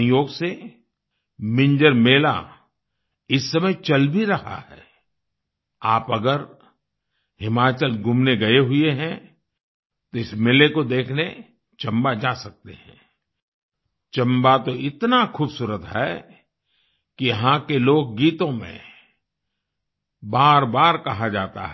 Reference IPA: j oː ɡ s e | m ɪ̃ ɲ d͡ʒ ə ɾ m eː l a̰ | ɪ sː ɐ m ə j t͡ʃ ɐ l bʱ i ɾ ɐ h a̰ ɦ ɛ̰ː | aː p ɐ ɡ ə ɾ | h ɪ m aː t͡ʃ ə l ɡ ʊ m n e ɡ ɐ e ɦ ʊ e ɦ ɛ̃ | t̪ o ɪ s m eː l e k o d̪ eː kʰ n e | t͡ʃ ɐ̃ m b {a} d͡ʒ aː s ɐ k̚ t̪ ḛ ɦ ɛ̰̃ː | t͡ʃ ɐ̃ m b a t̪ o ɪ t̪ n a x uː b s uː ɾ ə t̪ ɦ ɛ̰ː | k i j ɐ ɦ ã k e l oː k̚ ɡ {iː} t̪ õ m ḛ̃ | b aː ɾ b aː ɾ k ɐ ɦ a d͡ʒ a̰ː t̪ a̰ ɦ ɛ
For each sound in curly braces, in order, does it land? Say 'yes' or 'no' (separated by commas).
yes, yes